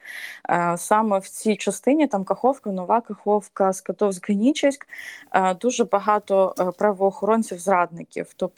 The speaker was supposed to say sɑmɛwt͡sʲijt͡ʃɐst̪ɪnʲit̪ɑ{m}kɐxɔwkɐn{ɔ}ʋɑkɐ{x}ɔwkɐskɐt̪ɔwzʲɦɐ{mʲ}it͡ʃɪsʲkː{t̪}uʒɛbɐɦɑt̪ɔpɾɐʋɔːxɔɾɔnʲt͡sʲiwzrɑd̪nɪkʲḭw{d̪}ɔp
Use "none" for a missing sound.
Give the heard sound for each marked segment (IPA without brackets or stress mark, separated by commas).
m, ɔ, x, nʲ, d̪, t̪